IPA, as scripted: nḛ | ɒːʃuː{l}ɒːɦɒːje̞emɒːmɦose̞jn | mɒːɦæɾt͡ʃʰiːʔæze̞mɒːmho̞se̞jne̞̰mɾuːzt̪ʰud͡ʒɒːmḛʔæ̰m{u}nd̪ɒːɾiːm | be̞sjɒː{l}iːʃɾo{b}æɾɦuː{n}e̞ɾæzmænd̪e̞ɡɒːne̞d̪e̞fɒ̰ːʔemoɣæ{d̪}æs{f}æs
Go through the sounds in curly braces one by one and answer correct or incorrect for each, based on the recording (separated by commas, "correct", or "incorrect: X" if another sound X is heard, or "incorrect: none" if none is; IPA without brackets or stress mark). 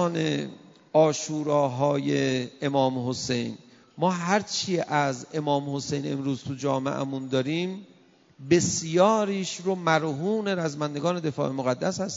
incorrect: ɾ, correct, incorrect: ɾ, incorrect: m, correct, incorrect: d̪ː, incorrect: h